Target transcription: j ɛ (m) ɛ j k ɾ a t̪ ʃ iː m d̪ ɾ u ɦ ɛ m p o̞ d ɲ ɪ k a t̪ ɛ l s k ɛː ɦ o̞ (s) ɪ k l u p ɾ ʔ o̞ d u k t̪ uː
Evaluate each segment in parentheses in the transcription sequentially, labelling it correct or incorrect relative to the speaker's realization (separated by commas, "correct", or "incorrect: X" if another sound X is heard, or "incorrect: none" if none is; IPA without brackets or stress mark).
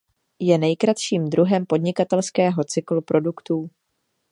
incorrect: n, incorrect: t͡s